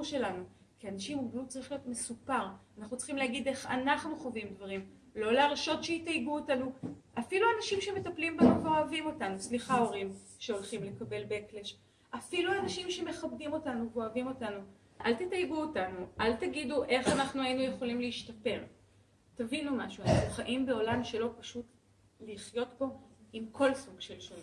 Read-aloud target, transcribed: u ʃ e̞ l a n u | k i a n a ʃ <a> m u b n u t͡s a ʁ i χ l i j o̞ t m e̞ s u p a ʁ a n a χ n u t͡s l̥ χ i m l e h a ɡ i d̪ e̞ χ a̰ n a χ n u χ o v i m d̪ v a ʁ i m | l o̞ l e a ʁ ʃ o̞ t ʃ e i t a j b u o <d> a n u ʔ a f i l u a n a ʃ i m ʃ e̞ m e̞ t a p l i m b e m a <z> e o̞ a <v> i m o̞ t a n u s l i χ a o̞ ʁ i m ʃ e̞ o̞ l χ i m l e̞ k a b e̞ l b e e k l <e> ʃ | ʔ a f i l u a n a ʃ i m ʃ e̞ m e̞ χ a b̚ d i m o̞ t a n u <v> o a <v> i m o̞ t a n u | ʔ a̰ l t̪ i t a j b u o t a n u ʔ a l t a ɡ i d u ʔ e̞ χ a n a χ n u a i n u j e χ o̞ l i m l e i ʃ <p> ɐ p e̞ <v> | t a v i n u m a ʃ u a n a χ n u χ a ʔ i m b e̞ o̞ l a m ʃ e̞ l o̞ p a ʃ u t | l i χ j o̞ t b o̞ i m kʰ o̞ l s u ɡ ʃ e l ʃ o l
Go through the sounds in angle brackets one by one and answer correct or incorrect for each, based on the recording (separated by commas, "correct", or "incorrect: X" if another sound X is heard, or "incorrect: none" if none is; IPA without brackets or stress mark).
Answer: incorrect: i, incorrect: t, incorrect: v, correct, correct, correct, correct, incorrect: t, incorrect: ʁ